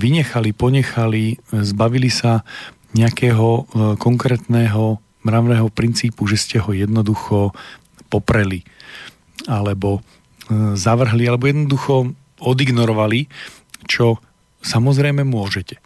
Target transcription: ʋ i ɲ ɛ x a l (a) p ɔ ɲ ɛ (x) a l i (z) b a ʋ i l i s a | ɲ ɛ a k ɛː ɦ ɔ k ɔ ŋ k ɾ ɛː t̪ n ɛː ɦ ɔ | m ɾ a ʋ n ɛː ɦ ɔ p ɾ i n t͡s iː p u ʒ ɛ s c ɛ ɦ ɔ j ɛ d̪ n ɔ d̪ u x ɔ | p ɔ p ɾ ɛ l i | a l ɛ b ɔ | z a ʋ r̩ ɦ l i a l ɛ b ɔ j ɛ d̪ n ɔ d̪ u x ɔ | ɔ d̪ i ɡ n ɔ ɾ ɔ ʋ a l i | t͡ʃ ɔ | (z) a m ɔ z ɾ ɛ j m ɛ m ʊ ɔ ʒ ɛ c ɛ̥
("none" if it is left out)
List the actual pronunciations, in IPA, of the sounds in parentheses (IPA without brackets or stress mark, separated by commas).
i, x, z, s